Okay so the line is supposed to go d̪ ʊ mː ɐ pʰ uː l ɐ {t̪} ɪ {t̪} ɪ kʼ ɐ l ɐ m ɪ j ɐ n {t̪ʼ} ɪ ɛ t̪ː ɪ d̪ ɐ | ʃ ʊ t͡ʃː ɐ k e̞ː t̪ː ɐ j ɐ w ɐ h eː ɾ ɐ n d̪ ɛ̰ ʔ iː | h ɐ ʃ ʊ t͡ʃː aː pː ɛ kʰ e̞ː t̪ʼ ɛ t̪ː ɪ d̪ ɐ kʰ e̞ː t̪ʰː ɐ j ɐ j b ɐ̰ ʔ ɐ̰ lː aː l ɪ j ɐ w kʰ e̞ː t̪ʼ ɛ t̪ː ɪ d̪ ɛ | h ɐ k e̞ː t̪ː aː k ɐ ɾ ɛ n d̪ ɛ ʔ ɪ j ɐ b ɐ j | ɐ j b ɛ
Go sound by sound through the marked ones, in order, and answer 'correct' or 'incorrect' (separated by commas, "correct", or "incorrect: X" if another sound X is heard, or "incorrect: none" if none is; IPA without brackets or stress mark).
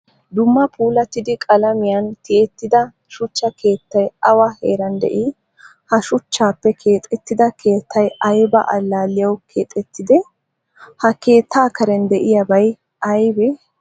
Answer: correct, incorrect: d̪, incorrect: t̪